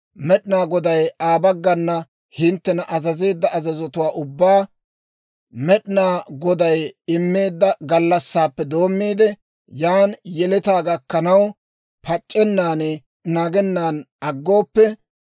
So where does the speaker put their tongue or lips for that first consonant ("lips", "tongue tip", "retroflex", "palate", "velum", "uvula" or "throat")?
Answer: lips